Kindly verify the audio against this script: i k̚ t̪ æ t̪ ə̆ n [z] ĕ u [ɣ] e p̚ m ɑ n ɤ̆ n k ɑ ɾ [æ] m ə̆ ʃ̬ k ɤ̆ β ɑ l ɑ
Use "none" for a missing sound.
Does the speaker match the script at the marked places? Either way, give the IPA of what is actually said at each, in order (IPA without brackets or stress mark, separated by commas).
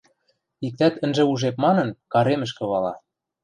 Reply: ʒ, ʒ, e